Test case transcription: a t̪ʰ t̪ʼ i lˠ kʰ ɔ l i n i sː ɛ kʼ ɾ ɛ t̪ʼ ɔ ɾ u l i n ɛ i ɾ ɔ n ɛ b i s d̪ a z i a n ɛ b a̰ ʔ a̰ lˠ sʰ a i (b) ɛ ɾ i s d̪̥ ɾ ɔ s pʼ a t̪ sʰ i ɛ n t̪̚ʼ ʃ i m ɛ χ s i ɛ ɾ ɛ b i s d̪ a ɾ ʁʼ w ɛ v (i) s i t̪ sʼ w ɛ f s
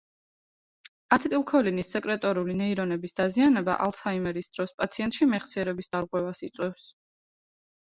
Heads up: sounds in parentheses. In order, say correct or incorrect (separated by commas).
incorrect, incorrect